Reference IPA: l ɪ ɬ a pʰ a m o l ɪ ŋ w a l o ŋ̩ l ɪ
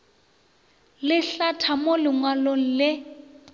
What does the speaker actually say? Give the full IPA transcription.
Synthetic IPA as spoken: l ɪ ɬ a tʰ a m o l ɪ ŋ w a l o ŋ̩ l ɪ